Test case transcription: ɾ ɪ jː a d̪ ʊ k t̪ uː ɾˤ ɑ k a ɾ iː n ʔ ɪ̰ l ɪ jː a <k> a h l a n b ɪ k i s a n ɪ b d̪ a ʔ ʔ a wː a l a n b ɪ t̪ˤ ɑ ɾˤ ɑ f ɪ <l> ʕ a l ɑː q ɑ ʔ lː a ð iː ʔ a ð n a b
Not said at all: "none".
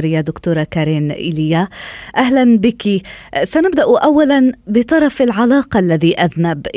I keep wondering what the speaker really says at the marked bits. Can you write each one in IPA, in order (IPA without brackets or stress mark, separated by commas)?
ʔ, l